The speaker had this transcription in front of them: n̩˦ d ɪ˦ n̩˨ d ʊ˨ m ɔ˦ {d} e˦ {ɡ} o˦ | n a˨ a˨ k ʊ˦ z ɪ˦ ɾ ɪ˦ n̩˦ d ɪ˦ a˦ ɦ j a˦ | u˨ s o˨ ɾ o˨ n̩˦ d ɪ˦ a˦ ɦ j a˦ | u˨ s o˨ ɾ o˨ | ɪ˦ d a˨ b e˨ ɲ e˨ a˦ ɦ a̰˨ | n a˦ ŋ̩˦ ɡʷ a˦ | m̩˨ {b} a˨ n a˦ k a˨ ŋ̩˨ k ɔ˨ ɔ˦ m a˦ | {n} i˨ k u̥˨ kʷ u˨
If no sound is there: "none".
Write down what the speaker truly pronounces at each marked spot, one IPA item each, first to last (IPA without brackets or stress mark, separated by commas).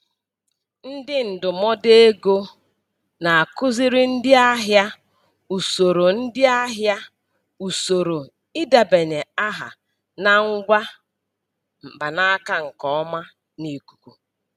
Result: d, ɡ, b, n